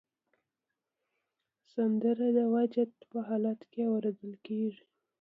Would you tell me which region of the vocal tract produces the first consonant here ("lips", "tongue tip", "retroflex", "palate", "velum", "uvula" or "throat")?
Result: tongue tip